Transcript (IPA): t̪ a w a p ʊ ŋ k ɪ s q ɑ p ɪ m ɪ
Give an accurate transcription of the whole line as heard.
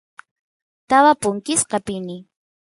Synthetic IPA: t̪ a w a p ʊ ŋ k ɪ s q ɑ p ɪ n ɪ